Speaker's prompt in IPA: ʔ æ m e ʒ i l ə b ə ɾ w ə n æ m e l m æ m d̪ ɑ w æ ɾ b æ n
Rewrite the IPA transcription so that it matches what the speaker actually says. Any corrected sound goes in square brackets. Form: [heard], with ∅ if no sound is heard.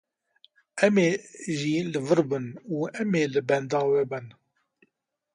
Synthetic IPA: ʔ æ m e ʒ i l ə [v] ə ɾ [b] ə n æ m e l [b] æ [n] d̪ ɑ w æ [∅] b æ n